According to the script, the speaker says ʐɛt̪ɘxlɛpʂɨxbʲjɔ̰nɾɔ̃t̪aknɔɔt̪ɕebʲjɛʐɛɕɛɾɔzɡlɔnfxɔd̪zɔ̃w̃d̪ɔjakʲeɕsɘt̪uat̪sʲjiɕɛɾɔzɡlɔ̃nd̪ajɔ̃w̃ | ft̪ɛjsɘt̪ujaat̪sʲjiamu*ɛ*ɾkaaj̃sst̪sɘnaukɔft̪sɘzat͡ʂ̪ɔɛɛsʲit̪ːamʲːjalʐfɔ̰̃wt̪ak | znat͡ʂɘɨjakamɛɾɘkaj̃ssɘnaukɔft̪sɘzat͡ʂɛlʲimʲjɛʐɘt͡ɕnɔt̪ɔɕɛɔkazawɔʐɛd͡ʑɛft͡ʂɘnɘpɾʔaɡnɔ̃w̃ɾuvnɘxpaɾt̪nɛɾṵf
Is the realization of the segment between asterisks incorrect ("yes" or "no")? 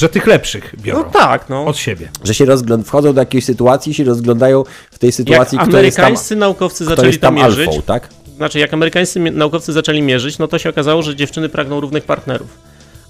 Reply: no